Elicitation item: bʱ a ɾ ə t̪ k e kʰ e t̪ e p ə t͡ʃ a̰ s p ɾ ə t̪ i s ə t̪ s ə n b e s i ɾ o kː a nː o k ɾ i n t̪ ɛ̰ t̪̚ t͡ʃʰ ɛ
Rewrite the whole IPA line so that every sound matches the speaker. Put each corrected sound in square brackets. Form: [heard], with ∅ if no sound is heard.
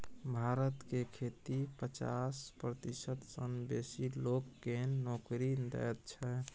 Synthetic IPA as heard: bʱ a ɾ ə t̪ k e kʰ e t̪ [i] p ə t͡ʃ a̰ s p ɾ ə t̪ i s ə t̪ s ə n b e s i [l] o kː [e] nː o k ɾ i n [d̪] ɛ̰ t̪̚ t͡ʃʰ ɛ